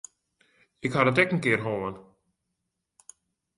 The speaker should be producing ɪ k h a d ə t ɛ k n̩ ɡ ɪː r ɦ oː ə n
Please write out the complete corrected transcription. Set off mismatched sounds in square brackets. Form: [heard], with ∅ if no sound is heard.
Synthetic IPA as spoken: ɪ k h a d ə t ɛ k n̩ [k] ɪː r ɦ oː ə n